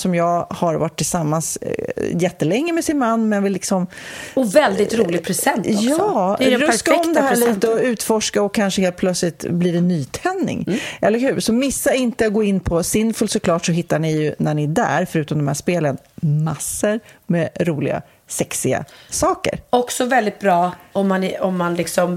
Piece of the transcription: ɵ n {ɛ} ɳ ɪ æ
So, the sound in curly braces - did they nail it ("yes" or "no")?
no